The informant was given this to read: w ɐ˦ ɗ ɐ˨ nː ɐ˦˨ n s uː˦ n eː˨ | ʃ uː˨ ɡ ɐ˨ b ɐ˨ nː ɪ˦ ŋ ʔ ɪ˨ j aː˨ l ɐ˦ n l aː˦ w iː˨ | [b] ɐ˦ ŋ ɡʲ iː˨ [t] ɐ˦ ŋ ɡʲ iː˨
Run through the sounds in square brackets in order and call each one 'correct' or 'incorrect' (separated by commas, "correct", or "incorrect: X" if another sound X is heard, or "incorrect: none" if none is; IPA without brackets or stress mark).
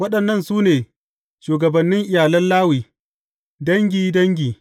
incorrect: d, incorrect: d